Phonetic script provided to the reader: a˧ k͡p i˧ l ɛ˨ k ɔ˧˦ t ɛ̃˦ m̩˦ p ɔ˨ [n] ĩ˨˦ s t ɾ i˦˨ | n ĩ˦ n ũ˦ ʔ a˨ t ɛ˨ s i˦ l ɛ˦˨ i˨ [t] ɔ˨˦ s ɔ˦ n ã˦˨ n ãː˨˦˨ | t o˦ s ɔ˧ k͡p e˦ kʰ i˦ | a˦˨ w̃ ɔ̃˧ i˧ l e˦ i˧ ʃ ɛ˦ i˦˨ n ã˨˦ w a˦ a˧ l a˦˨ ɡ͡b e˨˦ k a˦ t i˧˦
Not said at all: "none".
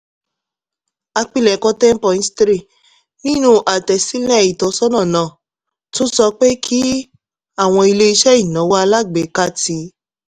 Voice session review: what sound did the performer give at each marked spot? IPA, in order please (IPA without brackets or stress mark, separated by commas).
none, t